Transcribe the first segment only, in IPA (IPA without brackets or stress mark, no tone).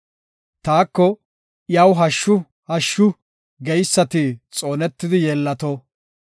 t̪